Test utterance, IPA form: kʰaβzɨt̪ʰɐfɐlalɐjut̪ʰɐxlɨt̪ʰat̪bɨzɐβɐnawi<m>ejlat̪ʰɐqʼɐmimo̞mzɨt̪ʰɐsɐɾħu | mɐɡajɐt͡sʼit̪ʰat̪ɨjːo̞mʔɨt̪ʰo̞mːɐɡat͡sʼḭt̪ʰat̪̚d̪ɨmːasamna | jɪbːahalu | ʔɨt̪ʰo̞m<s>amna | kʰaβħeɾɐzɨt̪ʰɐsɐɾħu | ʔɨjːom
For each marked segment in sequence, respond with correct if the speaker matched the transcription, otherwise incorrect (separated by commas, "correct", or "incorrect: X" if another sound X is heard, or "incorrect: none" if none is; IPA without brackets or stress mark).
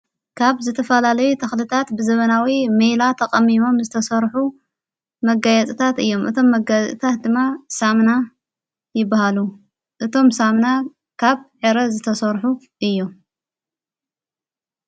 correct, correct